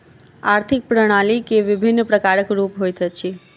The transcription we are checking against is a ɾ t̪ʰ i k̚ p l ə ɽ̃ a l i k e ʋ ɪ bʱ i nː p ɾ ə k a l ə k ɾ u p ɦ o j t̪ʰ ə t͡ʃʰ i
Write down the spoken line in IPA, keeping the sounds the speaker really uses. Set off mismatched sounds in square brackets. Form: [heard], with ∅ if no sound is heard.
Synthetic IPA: a ɾ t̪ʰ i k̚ p [ɾ] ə ɽ̃ a l i k e ʋ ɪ bʱ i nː p ɾ ə k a [ɾ] ə k ɾ u p ɦ o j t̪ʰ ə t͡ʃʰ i